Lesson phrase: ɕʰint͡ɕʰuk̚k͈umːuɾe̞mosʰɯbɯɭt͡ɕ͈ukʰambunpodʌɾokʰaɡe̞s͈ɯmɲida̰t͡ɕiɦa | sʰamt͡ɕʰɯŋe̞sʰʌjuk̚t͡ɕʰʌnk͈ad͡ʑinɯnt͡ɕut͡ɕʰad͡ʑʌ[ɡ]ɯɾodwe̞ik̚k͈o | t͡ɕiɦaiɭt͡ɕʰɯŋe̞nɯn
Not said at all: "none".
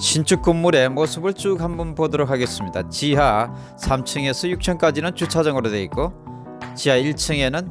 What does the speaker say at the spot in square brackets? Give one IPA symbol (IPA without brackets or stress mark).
ŋ